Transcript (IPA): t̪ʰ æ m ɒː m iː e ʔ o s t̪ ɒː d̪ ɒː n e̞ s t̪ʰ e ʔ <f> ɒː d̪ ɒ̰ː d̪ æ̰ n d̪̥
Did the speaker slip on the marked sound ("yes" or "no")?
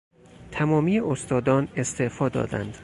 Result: no